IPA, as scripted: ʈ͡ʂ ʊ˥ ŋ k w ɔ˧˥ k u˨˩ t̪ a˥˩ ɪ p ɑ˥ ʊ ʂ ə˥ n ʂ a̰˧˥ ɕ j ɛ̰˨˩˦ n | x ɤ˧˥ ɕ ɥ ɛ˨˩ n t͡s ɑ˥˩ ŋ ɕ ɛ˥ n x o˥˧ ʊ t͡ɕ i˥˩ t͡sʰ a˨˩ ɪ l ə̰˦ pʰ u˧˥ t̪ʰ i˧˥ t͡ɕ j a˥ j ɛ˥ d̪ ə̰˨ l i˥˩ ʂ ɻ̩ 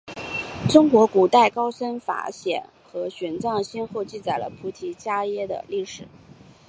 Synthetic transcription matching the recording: ʈ͡ʂ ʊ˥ ŋ k w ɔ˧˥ k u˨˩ t̪ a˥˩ ɪ k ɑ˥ ʊ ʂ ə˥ n f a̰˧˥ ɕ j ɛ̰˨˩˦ n | x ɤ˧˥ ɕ ɥ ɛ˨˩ n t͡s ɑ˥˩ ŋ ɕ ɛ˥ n x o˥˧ ʊ t͡ɕ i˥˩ t͡s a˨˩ ɪ l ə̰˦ pʰ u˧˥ t̪ʰ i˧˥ t͡ɕ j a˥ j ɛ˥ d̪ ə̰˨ l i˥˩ ʂ ɻ̩